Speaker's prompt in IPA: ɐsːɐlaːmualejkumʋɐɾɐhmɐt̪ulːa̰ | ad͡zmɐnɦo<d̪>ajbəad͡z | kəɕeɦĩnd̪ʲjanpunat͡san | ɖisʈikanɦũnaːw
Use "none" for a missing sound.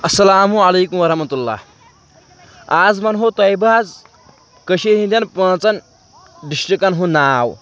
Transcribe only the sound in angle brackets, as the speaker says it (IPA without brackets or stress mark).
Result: t̪